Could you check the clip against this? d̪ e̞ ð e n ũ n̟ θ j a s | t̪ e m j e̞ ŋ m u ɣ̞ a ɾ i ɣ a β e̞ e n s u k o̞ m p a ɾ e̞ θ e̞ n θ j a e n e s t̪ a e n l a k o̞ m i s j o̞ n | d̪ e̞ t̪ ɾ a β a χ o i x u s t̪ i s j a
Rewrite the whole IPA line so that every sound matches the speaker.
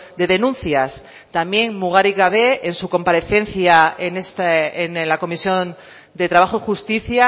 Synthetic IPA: d̪ e̞ ð e n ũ n̟ θ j a s | t̪ a m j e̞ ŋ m u ɣ̞ a ɾ i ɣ a β e̞ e n s u k o̞ m p a ɾ e̞ θ e̞ n θ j a e n e s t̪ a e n l a k o̞ m i s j o̞ n | d̪ e̞ t̪ ɾ a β a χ o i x u s t̪ i θ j a